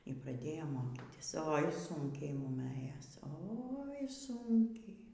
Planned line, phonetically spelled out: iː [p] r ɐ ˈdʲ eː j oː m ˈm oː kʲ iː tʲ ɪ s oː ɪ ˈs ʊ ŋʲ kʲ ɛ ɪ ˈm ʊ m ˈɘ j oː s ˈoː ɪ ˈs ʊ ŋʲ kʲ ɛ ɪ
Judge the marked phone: correct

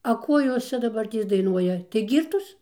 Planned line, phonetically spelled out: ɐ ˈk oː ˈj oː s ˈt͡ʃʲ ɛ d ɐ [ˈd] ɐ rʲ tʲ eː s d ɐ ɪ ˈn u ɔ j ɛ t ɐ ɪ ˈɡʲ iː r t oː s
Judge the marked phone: incorrect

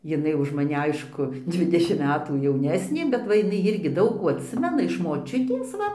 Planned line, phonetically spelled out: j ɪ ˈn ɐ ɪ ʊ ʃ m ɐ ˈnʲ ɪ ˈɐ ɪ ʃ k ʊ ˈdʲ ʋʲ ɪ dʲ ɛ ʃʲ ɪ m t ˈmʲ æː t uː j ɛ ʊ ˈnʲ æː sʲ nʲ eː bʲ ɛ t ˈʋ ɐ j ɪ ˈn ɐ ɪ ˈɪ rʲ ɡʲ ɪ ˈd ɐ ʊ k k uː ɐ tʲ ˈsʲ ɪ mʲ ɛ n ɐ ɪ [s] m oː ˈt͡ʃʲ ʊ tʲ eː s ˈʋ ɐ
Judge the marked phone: incorrect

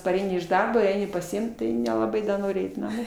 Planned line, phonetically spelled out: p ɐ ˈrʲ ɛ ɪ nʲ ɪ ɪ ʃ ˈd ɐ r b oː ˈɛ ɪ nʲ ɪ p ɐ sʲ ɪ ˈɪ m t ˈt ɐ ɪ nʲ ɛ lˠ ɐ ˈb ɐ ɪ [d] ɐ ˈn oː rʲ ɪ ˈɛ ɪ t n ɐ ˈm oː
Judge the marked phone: correct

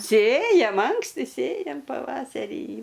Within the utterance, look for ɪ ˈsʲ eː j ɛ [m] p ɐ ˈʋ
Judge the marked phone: correct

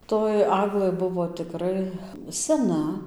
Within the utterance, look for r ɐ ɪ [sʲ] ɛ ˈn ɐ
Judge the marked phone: correct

